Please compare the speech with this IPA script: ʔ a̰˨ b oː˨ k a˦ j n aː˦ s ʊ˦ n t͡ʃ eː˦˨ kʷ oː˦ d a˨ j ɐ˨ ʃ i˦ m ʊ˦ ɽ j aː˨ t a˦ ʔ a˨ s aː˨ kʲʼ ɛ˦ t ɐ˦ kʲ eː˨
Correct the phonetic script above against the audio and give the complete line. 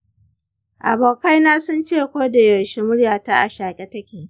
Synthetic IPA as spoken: ʔ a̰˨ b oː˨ k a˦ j n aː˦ s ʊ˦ n t͡ʃ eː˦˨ kʷ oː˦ d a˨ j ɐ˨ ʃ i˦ m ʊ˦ ɽ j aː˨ t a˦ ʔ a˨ ʃ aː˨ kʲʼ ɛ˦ t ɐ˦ kʲ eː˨